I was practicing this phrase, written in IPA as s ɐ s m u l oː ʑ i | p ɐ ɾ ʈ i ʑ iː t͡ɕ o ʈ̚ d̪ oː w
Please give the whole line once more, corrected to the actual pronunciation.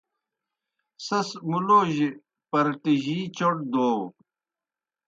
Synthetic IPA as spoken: s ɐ s m u l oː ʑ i | p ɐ ɾ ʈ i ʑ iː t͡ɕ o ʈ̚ d̪ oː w

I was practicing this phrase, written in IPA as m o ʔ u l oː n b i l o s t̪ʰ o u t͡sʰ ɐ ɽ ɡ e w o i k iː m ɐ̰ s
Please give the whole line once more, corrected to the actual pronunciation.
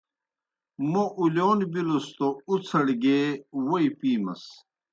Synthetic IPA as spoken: m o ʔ u l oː n b i l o s t̪ o u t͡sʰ ɐ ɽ ɡ e w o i p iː m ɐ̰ s

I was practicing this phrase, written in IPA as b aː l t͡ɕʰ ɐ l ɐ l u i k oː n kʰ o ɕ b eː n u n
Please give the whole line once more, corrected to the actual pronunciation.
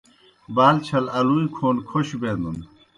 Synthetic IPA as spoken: b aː l t͡ɕʰ ɐ l ɐ l u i kʰ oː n kʰ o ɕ b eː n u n

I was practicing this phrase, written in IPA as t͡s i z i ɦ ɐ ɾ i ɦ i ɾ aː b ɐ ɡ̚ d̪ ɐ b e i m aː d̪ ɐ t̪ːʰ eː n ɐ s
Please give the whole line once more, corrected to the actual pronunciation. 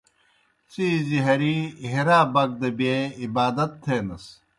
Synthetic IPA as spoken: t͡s i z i ɦ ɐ ɾ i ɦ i ɾ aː b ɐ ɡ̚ d̪ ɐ b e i b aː d̪ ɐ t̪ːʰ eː n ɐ s

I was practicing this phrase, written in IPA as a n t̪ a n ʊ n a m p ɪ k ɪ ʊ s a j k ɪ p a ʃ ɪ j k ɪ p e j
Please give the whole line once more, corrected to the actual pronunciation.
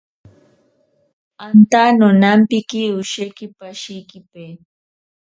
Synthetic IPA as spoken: a n t̪ a n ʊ n a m p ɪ k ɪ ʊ ʃ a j k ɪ p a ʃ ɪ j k ɪ p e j

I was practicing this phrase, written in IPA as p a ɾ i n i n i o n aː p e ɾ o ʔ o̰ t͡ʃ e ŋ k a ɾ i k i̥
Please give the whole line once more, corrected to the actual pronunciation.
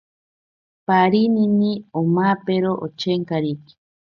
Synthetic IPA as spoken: p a ɾ i n i n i o m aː p e ɾ o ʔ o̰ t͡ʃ e ŋ k a ɾ i k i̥

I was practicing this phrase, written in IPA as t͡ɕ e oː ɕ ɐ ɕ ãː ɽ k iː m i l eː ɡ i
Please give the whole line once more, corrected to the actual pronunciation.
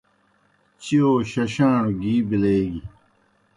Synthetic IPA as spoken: t͡ɕ i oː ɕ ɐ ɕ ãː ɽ ɡ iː b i l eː ɡ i

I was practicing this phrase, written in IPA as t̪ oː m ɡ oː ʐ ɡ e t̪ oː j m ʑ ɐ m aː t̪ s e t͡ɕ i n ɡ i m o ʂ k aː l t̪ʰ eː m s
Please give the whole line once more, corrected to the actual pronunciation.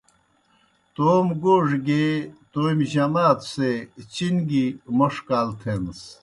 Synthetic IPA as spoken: t̪ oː m ɡ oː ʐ ɡ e t̪ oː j m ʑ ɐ m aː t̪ s e t͡ɕ i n ɡ i m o ʂ k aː l t̪ʰ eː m s

